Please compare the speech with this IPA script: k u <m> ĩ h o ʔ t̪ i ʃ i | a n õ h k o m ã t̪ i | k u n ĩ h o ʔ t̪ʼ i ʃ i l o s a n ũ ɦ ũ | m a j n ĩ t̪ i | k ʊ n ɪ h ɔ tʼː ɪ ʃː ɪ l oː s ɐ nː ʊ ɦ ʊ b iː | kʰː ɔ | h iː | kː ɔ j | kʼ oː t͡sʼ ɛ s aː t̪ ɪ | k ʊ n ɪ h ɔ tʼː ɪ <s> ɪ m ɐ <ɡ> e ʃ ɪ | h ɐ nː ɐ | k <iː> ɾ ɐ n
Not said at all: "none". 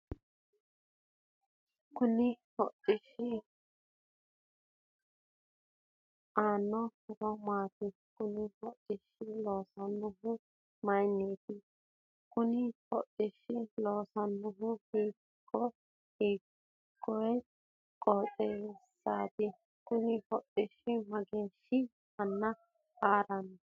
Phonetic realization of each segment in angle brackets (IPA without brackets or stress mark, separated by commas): n, ʃ, ɡ, aː